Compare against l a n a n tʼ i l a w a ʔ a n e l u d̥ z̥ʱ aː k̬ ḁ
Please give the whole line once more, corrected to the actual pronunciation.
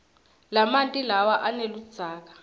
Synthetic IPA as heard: l a m a n tʼ i l a w a ʔ a n e l u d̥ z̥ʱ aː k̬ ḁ